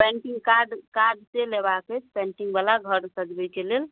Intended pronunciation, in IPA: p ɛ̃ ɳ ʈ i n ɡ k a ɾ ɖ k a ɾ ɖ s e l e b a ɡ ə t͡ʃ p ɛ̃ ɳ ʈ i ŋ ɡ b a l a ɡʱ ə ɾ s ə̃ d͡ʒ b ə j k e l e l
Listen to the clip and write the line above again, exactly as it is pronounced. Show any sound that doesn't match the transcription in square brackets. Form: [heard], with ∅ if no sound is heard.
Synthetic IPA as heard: p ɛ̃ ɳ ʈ i [ŋ] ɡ k a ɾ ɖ k a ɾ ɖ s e l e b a [k] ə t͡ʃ p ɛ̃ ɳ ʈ i ŋ ɡ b a l a ɡʱ ə ɾ s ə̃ d͡ʒ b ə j k e l e l